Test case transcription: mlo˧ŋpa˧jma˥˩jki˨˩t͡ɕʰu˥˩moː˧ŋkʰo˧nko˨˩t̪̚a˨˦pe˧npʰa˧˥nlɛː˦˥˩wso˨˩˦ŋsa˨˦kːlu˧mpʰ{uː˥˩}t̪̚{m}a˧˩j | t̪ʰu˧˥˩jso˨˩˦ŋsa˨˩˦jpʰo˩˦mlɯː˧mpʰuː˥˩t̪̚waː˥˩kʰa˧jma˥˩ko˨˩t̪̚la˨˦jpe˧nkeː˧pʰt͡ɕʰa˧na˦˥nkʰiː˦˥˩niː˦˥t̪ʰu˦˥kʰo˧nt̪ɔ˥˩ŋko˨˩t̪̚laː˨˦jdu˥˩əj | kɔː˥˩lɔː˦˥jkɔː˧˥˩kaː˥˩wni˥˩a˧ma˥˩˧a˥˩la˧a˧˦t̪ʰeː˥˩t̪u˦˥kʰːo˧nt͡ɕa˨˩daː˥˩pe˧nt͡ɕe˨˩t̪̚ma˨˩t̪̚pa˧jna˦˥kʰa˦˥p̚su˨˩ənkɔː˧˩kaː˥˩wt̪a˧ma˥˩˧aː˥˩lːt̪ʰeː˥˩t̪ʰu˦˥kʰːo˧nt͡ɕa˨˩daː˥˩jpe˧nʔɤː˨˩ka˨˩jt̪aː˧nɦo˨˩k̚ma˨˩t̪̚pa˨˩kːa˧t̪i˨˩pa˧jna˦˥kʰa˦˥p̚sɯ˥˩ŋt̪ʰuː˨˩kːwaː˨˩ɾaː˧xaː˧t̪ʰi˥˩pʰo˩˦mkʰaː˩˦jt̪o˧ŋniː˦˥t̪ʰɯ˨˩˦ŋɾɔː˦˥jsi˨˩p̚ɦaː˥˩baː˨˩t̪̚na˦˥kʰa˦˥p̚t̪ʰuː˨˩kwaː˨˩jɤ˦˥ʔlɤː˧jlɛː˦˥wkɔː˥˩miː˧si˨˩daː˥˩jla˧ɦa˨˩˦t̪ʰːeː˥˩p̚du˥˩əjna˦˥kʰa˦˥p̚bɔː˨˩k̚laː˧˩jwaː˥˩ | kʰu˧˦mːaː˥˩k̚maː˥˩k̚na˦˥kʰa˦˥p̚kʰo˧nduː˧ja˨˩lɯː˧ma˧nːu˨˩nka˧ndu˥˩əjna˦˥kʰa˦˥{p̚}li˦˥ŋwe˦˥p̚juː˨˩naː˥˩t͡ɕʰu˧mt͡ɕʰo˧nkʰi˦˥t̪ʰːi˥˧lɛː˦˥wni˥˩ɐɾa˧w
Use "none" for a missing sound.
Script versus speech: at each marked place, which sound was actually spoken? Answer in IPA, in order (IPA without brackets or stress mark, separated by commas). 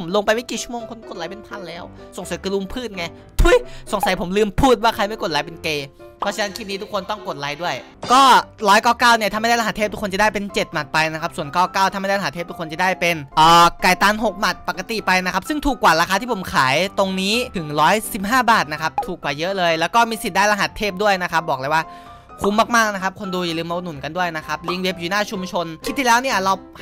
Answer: ɯː˥˩, ŋ, p̚